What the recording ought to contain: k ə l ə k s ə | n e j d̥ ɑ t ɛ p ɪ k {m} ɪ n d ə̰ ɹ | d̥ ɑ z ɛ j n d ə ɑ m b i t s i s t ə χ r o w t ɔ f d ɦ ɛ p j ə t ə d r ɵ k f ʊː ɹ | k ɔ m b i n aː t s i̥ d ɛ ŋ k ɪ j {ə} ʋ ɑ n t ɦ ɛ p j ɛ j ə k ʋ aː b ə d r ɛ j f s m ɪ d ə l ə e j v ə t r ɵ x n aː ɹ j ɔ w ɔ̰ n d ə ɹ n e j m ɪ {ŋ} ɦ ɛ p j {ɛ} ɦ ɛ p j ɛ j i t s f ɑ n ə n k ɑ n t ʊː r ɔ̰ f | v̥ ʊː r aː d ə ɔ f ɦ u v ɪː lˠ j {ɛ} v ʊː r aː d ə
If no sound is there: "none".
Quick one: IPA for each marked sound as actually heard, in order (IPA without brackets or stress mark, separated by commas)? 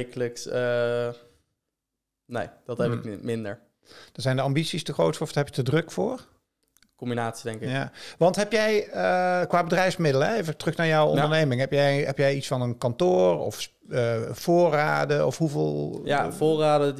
m, a, ŋ, ɛ, a